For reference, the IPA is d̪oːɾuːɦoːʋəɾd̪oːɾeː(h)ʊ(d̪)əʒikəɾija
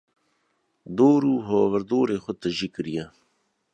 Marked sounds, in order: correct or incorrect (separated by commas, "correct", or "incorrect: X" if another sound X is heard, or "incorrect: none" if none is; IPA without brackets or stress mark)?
incorrect: x, incorrect: t̪